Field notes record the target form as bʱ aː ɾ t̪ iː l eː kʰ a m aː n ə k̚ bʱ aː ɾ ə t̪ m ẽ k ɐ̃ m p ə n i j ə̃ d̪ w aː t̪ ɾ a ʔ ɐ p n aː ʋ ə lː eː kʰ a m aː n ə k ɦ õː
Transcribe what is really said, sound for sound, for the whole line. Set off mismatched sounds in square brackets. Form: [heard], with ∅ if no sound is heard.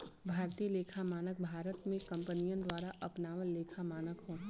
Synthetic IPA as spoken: bʱ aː ɾ t̪ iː l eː kʰ a m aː n ə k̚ bʱ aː ɾ ə t̪ m ẽ k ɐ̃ m p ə n i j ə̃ d̪ w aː [∅] ɾ a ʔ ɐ p n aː ʋ ə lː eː kʰ a m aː n ə k ɦ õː